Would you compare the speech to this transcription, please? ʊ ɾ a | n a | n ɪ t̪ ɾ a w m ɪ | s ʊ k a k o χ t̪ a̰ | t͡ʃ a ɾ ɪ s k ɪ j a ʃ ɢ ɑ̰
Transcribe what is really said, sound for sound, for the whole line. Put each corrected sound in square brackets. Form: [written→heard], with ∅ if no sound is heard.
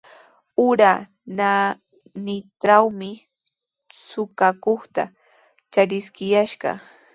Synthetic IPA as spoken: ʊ ɾ a | n a | n ɪ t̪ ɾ a w m ɪ | s ʊ k a k o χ t̪ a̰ | t͡ʃ a ɾ ɪ s k ɪ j a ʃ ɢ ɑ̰